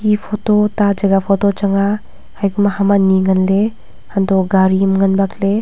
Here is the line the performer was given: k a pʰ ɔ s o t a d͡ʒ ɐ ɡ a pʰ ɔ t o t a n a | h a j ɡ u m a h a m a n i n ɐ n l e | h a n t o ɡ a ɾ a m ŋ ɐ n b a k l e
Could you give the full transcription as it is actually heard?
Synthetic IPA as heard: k i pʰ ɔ t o t a d͡ʒ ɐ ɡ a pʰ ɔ t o t͡ʃ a ŋ a | h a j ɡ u m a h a m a n i ŋ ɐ n l e | h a n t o ɡ a ɾ i m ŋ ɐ n b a k l e